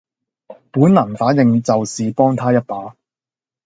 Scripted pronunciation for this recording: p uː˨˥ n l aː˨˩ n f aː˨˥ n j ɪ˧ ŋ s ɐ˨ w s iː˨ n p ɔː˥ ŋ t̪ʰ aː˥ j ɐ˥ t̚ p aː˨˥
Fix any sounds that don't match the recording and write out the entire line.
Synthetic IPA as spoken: p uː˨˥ n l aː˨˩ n f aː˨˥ n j ɪ˧ ŋ t͡s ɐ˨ w s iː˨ p ɔː˥ ŋ t̪ʰ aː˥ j ɐ˥ t̚ p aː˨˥